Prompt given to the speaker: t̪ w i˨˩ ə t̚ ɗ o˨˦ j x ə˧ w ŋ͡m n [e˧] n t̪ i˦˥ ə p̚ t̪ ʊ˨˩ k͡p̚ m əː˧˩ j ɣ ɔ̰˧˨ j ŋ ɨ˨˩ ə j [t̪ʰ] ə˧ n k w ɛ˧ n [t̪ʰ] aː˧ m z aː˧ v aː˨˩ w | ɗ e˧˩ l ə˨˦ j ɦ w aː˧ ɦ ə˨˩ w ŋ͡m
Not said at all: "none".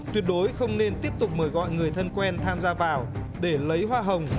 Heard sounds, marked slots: e˧, t̪ʰ, t̪ʰ

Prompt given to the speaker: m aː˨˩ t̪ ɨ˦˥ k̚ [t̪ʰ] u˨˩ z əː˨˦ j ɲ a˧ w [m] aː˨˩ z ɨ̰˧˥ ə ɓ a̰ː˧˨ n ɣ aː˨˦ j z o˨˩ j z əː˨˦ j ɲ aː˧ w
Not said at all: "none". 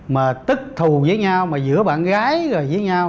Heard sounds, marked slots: t̪ʰ, m

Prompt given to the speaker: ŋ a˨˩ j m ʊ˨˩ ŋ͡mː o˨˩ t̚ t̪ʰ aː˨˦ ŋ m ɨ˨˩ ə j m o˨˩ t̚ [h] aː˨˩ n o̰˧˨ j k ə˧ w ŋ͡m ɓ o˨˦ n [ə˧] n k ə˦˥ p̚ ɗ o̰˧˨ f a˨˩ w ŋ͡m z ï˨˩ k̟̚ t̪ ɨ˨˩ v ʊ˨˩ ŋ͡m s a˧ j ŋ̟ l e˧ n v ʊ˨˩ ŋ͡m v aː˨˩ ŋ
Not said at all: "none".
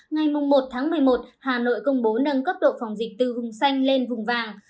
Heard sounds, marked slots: h, ə˧

